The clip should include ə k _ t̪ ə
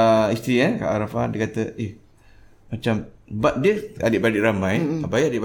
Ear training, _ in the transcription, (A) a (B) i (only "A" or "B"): A